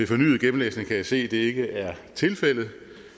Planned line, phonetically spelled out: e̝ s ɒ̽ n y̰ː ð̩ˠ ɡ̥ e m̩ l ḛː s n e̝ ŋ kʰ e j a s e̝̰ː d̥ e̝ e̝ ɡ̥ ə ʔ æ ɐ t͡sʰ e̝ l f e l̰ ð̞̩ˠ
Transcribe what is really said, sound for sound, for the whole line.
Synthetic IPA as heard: e̝ f ɒ̽ n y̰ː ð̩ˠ ɡ̥ e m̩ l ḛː s n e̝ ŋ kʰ æ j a s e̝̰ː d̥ e̝ e̝ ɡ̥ ə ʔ æ ɐ t͡sʰ e̝ l f e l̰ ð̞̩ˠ